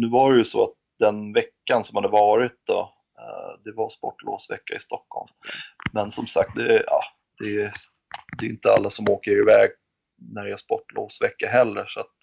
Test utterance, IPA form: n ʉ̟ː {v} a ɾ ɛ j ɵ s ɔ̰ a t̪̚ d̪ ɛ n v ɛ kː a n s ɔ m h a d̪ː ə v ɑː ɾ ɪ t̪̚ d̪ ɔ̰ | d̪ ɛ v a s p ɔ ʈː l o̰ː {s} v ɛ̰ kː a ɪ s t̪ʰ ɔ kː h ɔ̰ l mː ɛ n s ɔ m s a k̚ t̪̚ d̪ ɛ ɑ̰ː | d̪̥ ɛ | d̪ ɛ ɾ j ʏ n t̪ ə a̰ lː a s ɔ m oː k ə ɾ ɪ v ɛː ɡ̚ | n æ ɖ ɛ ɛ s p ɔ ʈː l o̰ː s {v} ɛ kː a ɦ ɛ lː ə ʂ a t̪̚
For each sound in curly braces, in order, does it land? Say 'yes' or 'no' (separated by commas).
yes, yes, yes